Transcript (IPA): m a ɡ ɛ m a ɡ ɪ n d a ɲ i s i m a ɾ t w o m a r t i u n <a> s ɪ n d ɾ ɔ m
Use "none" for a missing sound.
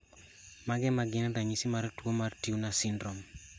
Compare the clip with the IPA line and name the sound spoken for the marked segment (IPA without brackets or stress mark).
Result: a